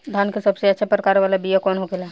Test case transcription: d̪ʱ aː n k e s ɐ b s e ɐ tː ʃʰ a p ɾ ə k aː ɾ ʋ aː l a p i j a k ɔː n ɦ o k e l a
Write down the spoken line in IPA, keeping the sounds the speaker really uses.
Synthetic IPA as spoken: d̪ʱ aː n k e s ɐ b s e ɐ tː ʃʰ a p ɾ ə k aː ɾ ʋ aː l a b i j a k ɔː n ɦ o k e l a